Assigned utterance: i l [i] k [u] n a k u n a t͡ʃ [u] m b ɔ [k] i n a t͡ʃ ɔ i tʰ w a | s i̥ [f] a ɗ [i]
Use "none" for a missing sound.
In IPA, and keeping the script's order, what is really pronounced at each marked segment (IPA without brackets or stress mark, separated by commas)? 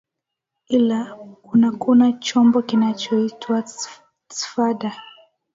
a, u, ɔ, k, f, a